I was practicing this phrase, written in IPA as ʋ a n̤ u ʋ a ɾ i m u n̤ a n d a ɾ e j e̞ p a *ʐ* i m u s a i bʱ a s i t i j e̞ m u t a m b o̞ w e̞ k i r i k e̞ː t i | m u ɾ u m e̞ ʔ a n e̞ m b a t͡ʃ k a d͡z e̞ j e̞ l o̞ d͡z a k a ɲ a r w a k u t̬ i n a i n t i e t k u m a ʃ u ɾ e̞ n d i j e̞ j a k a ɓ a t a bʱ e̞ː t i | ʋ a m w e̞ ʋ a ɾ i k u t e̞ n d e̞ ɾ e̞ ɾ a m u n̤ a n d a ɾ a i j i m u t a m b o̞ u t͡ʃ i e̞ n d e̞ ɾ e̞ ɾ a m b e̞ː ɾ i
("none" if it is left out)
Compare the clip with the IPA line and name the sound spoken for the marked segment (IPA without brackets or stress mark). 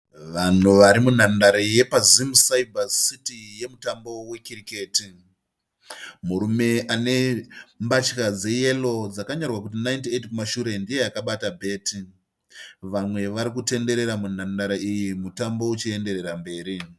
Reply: z